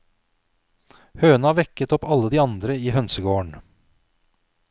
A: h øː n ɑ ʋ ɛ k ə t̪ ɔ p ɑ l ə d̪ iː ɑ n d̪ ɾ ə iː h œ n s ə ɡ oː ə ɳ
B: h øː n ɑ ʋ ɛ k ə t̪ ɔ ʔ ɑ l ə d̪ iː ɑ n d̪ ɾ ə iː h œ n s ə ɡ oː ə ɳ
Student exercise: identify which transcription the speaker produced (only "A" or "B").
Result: A